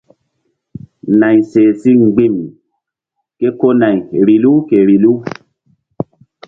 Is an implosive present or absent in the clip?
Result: absent